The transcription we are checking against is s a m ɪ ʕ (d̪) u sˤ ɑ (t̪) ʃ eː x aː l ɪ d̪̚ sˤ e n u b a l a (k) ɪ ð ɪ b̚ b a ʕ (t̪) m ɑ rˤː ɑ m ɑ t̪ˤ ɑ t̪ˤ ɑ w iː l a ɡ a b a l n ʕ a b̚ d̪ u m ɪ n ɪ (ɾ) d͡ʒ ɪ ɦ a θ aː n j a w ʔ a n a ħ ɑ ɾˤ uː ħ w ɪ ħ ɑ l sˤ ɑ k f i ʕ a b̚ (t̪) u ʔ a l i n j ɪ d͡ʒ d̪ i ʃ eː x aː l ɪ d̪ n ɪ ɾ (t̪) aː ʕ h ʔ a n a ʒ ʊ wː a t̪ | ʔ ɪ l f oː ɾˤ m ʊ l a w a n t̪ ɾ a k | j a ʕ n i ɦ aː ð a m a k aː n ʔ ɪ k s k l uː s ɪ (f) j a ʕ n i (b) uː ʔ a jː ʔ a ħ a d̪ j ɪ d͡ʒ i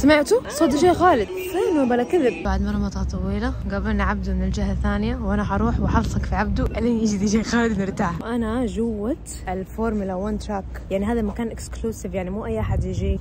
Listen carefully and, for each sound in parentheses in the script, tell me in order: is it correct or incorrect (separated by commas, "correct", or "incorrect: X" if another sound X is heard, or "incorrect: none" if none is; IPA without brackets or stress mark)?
incorrect: t̪, incorrect: d̪, correct, incorrect: d̪, incorrect: l, incorrect: d̪, correct, incorrect: v, incorrect: m